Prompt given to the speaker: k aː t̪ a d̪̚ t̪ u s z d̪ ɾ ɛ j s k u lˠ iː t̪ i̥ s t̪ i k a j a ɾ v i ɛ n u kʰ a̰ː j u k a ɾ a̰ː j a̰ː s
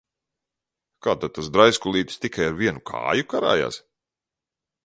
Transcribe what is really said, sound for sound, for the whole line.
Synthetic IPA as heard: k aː t̪ a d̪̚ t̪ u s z d̪ ɾ a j s k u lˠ iː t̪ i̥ s t̪ i k a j a ɾ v i ɛ n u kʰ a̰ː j u k a ɾ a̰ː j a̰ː s